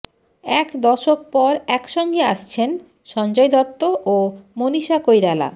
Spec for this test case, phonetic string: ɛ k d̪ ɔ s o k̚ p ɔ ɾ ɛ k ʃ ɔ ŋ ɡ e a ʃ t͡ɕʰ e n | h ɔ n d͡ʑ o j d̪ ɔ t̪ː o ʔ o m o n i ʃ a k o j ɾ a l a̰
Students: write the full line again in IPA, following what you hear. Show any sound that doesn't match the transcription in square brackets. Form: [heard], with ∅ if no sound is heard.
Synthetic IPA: ɛ k d̪ ɔ [ʃ] o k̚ p ɔ ɾ ɛ k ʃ ɔ ŋ ɡ e a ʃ t͡ɕʰ e n | [ʃ] ɔ n d͡ʑ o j d̪ ɔ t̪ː o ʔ o m o n i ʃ a k o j ɾ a l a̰